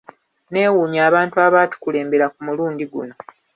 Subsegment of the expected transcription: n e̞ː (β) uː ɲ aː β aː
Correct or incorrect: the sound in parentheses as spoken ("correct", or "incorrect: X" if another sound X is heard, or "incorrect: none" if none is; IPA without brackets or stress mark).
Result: incorrect: w